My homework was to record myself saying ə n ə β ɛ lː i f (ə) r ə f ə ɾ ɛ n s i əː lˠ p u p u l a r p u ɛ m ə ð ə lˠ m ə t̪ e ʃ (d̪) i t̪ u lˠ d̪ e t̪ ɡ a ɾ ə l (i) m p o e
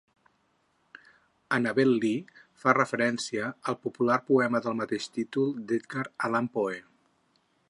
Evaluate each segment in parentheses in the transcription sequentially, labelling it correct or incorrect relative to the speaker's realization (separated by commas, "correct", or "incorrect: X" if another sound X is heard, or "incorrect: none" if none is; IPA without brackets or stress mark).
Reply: incorrect: a, incorrect: t̪, incorrect: a